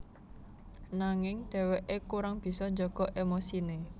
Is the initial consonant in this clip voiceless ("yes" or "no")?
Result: no